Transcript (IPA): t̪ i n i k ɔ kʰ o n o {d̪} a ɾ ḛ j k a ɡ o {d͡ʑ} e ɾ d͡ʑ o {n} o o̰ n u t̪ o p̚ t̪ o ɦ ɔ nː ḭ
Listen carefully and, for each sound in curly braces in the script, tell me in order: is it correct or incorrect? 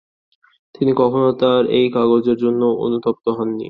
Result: incorrect, correct, incorrect

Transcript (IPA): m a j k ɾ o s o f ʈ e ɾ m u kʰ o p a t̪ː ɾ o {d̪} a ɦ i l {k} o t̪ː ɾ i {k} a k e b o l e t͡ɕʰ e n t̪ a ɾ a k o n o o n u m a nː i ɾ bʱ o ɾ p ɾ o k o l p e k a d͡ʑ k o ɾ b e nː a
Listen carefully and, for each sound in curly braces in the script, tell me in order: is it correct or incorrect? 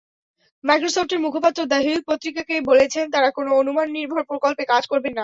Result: correct, incorrect, correct

